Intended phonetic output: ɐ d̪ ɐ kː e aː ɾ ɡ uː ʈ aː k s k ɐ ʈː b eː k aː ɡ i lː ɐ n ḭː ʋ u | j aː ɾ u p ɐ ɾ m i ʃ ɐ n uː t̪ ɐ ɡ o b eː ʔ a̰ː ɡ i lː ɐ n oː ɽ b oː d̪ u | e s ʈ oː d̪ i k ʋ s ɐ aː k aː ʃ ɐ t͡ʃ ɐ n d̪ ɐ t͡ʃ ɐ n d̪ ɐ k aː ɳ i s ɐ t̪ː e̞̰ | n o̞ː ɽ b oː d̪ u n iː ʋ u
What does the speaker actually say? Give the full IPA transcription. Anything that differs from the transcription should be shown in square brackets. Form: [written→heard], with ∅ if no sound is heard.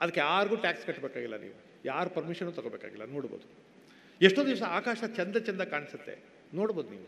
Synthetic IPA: ɐ d̪ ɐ kː e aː ɾ ɡ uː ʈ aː k s k ɐ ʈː b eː k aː ɡ i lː ɐ n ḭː ʋ u | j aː ɾ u p ɐ ɾ m i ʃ ɐ n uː t̪ ɐ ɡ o b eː [ʔ→k] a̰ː ɡ i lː ɐ n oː ɽ b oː d̪ u | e [s→ʂ] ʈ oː d̪ i [k→∅] ʋ s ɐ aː k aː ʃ ɐ t͡ʃ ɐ n d̪ ɐ t͡ʃ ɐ n d̪ ɐ k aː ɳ i s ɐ t̪ː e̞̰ | n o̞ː ɽ b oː d̪ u n iː ʋ u